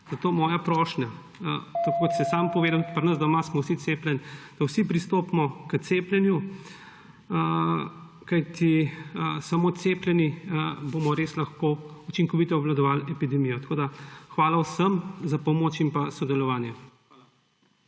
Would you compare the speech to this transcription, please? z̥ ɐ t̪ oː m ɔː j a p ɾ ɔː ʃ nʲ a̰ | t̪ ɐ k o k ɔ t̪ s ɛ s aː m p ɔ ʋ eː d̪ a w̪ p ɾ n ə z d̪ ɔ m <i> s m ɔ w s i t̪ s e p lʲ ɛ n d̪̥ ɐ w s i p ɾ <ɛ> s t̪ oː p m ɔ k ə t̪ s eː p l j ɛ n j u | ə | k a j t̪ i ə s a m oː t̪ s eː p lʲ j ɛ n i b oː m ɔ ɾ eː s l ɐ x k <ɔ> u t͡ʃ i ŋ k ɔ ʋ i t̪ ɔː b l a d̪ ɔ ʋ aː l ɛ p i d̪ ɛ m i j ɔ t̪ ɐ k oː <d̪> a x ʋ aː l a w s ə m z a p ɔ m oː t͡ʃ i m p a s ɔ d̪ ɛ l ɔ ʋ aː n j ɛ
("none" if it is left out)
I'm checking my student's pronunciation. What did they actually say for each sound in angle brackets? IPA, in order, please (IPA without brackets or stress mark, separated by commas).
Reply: a, i, o, d̪